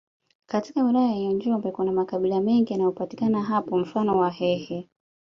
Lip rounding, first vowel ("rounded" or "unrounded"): unrounded